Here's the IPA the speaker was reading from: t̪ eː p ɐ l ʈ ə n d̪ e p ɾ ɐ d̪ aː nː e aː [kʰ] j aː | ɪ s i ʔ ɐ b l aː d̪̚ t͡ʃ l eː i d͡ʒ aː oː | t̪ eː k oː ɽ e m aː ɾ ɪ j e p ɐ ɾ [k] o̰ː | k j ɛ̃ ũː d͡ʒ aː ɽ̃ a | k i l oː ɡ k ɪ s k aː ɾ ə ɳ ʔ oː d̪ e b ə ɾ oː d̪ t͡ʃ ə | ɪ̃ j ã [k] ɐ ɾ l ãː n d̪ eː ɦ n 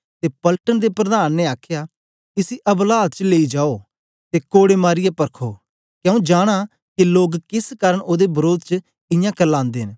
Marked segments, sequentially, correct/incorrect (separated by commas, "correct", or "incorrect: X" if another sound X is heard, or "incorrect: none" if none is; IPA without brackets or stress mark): correct, incorrect: kʰ, correct